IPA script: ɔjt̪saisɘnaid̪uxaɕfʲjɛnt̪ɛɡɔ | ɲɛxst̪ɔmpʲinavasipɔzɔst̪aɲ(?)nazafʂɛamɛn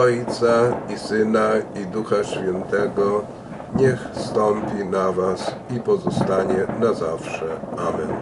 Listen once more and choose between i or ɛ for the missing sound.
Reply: ɛ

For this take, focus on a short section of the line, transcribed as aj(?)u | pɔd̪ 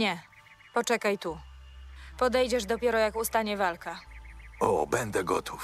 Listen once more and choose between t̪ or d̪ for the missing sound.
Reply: t̪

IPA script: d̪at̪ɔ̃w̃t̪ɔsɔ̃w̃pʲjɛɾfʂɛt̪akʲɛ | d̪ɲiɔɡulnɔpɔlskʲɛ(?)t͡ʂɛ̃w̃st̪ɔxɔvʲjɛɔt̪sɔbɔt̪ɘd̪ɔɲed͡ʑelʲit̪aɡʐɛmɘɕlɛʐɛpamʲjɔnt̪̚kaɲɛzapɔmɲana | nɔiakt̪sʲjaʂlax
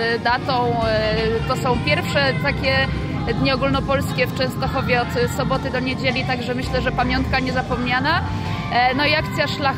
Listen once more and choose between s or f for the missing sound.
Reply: f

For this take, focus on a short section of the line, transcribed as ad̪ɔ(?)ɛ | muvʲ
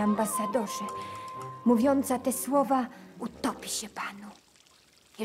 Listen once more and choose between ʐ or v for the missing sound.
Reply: ʐ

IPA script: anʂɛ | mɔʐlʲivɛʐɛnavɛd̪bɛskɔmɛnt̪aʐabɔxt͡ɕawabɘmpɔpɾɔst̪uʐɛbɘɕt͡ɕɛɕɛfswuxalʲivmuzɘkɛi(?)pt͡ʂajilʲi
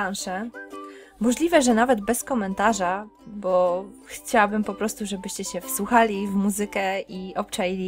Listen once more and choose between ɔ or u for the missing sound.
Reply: ɔ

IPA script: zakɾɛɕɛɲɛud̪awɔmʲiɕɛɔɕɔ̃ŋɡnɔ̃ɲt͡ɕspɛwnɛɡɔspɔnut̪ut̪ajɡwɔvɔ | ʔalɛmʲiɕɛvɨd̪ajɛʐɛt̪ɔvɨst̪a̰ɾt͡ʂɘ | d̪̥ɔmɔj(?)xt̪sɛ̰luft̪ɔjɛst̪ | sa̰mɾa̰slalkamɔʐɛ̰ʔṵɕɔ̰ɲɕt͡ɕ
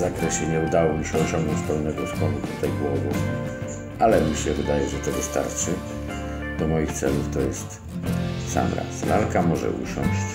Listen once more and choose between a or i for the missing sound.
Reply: i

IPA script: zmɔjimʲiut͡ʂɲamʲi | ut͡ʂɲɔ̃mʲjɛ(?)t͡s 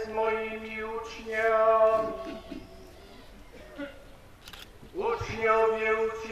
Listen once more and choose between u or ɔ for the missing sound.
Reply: u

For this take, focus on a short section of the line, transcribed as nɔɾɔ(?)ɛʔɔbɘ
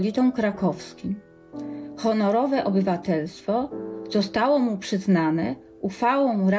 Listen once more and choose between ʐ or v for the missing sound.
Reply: v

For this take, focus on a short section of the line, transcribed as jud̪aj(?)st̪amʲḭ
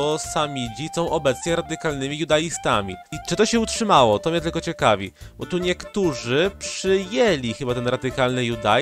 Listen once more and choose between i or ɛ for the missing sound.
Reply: i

